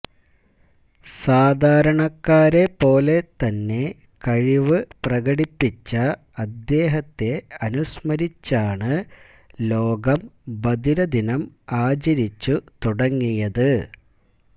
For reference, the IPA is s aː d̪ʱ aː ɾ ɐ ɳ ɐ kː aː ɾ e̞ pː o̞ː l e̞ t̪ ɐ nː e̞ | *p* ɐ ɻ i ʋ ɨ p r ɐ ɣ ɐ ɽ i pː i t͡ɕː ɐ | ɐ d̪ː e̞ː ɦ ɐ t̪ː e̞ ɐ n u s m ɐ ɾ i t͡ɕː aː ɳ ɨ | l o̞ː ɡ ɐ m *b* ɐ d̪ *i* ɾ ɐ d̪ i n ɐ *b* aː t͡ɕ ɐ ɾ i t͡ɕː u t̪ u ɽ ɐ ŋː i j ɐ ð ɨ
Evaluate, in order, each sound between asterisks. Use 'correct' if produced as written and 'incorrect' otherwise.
incorrect: k, correct, correct, incorrect: m

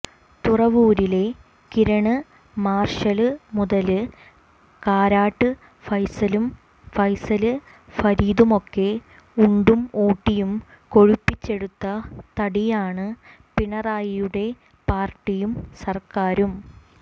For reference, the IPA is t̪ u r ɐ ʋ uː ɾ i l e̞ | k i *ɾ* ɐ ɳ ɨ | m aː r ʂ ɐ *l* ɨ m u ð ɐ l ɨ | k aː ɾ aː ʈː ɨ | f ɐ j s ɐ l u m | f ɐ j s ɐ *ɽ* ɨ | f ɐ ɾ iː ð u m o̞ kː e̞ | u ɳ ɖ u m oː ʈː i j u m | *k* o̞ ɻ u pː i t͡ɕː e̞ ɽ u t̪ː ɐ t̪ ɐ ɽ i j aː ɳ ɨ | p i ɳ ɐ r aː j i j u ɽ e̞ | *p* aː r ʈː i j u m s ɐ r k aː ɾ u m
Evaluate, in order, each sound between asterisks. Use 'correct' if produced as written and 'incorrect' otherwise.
correct, correct, incorrect: l, correct, correct

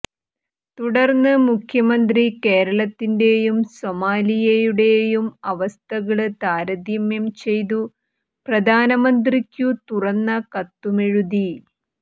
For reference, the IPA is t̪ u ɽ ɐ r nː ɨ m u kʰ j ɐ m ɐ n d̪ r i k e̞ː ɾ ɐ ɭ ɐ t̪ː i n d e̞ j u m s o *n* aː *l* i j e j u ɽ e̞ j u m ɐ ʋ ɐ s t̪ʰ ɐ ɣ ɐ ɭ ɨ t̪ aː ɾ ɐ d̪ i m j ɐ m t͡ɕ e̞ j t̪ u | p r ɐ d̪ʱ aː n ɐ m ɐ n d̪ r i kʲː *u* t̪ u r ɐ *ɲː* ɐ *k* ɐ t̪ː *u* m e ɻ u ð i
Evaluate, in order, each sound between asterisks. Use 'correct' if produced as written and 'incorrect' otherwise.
incorrect: m, correct, correct, incorrect: nː, correct, correct

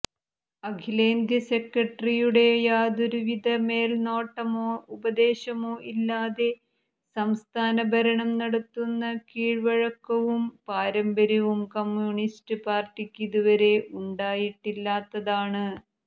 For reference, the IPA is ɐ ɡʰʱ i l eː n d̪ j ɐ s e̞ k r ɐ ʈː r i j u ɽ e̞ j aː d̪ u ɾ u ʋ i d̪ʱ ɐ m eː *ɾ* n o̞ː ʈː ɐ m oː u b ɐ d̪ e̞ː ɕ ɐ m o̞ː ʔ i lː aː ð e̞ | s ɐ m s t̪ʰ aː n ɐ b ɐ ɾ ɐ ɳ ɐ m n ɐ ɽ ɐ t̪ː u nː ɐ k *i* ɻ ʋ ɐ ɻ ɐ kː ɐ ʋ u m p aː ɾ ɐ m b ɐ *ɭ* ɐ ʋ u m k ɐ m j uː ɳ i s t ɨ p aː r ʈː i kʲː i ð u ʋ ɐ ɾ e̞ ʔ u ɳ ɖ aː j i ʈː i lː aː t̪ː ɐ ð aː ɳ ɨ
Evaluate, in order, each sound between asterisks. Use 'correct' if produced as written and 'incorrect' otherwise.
incorrect: l, incorrect: iː, incorrect: ɾ

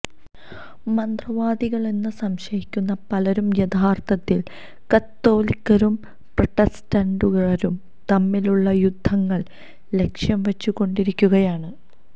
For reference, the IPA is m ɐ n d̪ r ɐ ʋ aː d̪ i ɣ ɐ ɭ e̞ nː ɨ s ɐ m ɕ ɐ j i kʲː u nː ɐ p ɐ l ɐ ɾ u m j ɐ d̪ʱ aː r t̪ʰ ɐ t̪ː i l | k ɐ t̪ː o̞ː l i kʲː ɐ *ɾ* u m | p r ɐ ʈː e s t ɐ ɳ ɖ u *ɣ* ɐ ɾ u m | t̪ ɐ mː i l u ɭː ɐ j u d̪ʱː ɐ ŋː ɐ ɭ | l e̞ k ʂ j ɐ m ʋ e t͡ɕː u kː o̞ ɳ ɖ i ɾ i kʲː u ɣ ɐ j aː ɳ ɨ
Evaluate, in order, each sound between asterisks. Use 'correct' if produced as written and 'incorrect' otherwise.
correct, correct

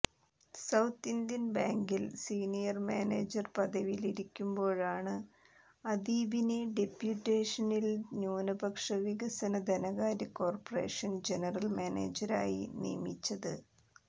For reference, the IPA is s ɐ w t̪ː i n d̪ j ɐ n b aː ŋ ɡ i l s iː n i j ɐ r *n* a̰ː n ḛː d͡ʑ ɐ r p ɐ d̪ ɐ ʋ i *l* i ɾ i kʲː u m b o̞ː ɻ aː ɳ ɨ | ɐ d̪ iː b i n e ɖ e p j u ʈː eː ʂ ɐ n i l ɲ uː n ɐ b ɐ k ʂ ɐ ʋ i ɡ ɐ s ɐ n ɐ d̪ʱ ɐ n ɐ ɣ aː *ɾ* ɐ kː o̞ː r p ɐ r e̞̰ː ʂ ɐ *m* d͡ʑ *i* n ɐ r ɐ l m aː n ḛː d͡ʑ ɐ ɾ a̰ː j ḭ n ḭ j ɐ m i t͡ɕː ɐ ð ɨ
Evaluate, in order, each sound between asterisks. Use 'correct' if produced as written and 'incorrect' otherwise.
incorrect: m, correct, correct, incorrect: n, incorrect: e

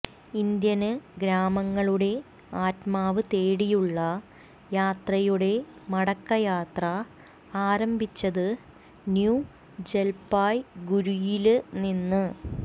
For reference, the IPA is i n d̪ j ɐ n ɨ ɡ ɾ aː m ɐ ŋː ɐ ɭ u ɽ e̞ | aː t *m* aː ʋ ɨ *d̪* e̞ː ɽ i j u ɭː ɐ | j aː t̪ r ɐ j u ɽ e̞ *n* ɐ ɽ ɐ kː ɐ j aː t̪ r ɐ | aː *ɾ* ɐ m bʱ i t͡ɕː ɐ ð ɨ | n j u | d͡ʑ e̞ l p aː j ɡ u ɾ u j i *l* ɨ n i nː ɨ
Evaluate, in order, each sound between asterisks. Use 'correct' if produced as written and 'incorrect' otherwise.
correct, incorrect: t̪, incorrect: m, correct, correct

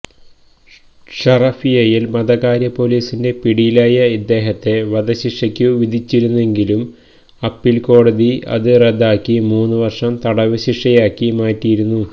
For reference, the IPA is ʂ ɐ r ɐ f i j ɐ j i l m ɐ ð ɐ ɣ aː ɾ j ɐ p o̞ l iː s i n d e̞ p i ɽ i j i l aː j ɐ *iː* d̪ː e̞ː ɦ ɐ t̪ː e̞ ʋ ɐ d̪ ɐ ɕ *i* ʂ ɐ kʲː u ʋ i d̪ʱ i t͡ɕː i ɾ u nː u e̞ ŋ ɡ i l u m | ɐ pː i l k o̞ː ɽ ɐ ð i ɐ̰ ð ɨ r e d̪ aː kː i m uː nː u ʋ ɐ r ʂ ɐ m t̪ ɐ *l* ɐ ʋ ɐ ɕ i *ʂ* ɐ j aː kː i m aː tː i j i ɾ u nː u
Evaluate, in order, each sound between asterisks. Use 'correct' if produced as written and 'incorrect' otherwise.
incorrect: i, correct, incorrect: ɽ, correct

